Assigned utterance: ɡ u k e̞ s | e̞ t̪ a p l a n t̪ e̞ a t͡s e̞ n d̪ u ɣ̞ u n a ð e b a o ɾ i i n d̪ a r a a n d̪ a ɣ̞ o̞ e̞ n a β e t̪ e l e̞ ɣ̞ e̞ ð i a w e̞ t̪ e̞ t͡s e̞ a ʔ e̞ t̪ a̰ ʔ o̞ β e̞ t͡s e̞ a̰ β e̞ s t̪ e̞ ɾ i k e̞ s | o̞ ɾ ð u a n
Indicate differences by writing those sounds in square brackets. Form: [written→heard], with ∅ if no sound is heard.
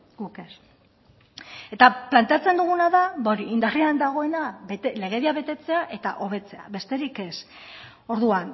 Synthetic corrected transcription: ɡ u k e̞ s | e̞ t̪ a p l a n t̪ e̞ a t͡s e̞ n d̪ u ɣ̞ u n a ð [e→a] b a o ɾ i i n d̪ a r [a→i] a n d̪ a ɣ̞ o̞ e̞ n a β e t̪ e l e̞ ɣ̞ e̞ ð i a [w→β] e̞ t̪ e̞ t͡s e̞ a ʔ e̞ t̪ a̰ ʔ o̞ β e̞ t͡s e̞ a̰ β e̞ s t̪ e̞ ɾ i k e̞ s | o̞ ɾ ð u a n

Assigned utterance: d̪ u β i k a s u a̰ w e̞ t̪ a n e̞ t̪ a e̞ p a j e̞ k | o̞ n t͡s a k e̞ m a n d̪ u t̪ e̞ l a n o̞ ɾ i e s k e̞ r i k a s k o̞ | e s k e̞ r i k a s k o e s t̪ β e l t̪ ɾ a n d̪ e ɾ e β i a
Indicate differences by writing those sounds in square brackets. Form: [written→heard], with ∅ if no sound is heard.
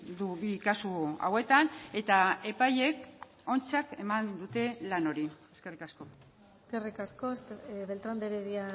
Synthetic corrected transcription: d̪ u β i k a s u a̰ w e̞ t̪ a n e̞ t̪ a e̞ p a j e̞ k | o̞ n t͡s a k e̞ m a n d̪ u t̪ e̞ l a n o̞ ɾ i e s k e̞ r i k a s k o̞ | e s k e̞ r i k a s k o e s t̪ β e l t̪ ɾ a n d̪ e ɾ e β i a

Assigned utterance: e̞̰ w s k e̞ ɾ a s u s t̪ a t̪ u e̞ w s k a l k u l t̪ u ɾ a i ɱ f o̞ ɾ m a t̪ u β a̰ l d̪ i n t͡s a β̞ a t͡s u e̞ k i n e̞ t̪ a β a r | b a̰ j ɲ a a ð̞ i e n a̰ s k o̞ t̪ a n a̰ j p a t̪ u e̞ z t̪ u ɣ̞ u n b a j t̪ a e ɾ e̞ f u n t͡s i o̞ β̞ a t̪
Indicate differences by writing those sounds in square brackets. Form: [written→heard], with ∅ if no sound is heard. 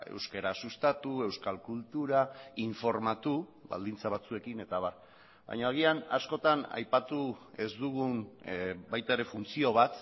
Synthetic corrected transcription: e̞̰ w s k e̞ ɾ a s u s t̪ a t̪ u e̞ w s k a l k u l t̪ u ɾ a i ɱ f o̞ ɾ m a t̪ u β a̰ l d̪ i n t͡s a β̞ a t͡s u e̞ k i n e̞ t̪ a β a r | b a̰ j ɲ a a [ð̞→ɣ̞] i [e→a] n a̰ s k o̞ t̪ a n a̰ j p a t̪ u e̞ z [t̪→d̪] u ɣ̞ u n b a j t̪ a e ɾ e̞ f u n t͡s i o̞ β̞ a t̪

